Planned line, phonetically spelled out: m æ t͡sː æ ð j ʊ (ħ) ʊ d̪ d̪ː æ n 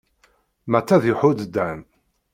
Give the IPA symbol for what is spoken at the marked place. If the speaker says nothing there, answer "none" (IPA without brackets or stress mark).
ħ